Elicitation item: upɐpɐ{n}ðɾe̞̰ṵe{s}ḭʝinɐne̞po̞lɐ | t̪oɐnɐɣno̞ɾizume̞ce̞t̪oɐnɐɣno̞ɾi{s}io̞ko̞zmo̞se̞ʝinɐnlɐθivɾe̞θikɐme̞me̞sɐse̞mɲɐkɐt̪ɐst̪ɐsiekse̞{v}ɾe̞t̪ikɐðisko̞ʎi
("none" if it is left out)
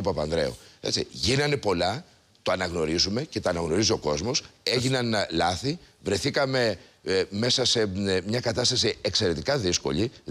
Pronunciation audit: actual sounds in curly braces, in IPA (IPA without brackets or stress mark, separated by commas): n, t͡s, z, none